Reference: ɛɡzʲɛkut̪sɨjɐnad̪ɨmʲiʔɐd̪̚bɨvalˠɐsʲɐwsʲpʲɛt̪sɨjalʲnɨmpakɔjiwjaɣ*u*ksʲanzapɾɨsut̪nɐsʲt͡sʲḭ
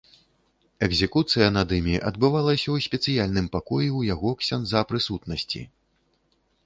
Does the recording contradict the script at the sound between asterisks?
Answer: yes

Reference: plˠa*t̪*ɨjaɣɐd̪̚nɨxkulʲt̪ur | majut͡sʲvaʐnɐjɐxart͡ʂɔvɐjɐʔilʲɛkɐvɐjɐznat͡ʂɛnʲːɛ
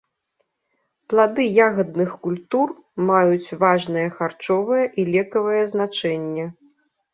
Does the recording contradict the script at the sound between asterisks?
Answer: yes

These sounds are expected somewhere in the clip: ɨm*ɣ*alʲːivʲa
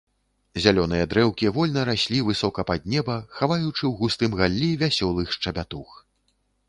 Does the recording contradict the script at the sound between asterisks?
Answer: no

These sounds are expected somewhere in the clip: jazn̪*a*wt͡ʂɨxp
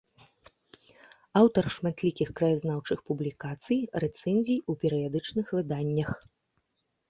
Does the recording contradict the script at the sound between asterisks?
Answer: no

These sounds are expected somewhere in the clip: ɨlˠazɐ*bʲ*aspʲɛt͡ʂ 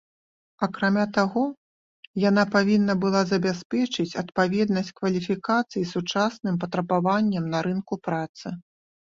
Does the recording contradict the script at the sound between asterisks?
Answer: no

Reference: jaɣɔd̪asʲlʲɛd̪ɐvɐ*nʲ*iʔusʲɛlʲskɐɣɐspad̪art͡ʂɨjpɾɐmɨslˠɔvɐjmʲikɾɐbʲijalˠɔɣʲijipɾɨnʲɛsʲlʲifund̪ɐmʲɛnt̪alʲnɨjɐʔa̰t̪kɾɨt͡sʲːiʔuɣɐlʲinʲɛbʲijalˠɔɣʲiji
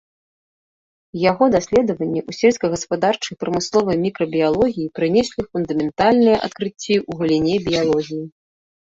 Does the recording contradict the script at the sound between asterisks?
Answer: yes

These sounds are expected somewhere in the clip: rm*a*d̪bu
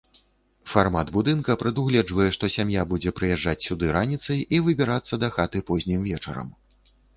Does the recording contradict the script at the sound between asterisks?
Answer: no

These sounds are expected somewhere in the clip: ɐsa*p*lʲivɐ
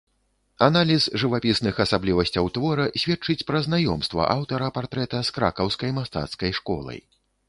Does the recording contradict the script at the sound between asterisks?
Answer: yes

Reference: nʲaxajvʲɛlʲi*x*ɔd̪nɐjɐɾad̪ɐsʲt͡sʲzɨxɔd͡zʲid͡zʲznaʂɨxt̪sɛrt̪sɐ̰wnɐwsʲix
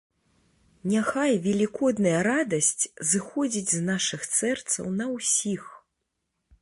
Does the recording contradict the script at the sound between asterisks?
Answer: yes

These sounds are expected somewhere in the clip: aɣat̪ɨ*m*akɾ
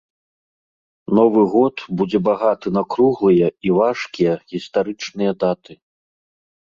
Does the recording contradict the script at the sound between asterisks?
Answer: yes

